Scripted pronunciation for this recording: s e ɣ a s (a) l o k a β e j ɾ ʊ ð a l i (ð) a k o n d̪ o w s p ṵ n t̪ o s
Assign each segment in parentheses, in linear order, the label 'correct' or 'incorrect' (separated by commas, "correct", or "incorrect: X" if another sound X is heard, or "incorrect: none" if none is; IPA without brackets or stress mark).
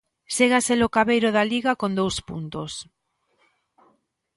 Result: incorrect: e, incorrect: ɣ